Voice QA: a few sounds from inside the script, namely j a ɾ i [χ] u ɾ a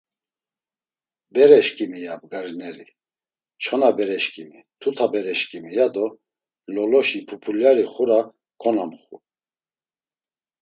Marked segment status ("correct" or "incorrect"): correct